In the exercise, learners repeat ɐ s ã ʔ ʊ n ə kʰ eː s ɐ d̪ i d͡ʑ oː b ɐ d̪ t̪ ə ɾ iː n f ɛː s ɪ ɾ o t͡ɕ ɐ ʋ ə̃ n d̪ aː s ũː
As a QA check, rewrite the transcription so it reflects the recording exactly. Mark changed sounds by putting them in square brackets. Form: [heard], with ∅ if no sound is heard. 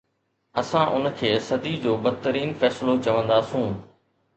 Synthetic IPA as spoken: ɐ s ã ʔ ʊ n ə kʰ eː s ɐ d̪ i d͡ʑ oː b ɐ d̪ t̪ ə ɾ iː n f ɛː s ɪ [l] o t͡ɕ ɐ ʋ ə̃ n d̪ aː s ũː